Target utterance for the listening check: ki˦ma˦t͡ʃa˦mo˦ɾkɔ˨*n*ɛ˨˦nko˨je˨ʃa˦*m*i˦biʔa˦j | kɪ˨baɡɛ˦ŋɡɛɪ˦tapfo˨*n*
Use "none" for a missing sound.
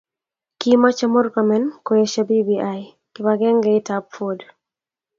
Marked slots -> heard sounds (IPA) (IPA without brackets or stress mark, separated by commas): m, b, d